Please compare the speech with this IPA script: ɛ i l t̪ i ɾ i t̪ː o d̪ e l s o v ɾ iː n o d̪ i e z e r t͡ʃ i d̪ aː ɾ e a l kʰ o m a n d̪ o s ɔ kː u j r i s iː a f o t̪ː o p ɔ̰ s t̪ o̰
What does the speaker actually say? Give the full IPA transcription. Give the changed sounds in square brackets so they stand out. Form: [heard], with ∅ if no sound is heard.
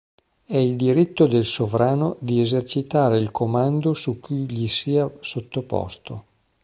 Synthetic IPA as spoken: ɛ i l [d̪] i ɾ i t̪ː o d̪ e l s o v ɾ [aː] n o d̪ i e z e r t͡ʃ i [t̪] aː ɾ e [i] l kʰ o m a n d̪ o s [u] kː u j [ʎ] i s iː a [s] o t̪ː o p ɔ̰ s t̪ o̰